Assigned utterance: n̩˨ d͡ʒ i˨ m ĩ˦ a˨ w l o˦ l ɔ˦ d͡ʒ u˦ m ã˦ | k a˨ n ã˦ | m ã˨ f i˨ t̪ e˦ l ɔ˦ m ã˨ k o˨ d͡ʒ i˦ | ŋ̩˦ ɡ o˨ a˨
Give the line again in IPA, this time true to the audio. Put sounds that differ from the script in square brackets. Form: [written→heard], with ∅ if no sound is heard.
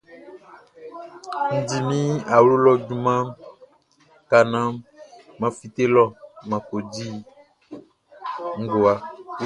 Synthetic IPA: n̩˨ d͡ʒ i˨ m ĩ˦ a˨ w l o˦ l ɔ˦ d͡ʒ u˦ m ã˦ | k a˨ n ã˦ | m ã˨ f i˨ t̪ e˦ l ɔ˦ m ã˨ k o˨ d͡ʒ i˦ | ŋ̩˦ ɡ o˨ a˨